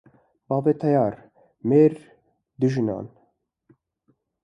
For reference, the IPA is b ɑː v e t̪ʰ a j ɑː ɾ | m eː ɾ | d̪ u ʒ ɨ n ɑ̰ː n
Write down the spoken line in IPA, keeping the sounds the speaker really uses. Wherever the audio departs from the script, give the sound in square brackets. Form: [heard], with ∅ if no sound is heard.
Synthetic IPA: b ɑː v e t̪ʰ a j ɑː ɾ | m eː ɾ | d̪ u ʒ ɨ n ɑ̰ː n